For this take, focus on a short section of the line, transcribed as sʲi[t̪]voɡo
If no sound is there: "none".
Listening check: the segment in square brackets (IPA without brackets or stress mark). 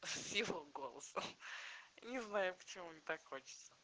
none